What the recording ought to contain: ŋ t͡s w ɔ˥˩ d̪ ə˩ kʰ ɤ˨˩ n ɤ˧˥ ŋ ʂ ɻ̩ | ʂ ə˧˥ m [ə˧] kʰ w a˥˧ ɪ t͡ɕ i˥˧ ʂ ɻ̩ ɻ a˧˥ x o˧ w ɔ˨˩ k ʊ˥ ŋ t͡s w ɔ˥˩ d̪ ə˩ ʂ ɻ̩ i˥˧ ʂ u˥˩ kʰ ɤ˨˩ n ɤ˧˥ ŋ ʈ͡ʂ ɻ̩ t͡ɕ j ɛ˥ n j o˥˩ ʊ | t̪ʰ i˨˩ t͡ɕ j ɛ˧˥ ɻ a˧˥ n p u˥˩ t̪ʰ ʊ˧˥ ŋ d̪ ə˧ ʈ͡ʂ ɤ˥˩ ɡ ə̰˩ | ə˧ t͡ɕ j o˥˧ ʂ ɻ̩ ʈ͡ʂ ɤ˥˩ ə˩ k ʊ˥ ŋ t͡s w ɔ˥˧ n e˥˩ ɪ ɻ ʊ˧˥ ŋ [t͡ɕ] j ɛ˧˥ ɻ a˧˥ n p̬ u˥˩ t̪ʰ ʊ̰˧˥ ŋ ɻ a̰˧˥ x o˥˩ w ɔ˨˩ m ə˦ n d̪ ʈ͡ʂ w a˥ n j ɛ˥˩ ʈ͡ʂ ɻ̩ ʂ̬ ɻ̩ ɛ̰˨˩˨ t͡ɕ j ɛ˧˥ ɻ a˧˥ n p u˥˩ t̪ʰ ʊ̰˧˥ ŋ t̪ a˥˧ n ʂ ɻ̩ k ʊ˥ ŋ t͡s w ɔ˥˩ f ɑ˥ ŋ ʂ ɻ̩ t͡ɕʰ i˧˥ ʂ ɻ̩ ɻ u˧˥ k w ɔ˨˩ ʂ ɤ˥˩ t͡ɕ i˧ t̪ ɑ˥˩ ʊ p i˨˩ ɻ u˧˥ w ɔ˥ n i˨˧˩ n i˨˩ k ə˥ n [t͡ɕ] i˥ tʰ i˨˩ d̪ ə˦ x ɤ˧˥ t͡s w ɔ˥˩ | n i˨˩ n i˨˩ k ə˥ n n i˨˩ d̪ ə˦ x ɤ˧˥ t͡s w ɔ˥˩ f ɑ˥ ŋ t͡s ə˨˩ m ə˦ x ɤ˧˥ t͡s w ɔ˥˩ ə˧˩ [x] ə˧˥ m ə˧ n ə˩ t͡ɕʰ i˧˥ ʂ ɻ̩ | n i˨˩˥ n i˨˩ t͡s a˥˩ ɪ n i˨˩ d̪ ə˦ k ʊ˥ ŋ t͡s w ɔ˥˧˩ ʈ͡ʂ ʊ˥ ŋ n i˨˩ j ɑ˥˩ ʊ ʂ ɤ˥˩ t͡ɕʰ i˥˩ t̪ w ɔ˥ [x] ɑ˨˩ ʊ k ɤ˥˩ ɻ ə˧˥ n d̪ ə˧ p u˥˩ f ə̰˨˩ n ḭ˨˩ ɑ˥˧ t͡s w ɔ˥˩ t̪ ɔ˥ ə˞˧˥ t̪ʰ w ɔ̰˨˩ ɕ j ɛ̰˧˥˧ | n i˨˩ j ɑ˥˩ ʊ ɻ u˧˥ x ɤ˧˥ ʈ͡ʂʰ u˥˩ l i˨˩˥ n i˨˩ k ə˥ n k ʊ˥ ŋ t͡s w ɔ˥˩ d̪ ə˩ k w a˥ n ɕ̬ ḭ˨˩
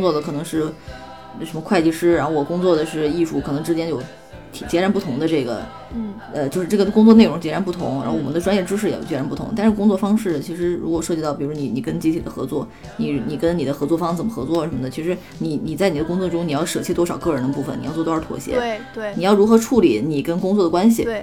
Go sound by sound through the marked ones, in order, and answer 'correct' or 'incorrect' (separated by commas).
correct, correct, correct, incorrect, incorrect